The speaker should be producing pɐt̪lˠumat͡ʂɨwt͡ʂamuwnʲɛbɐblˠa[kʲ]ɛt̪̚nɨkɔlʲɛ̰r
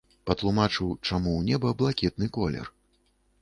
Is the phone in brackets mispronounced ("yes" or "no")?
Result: no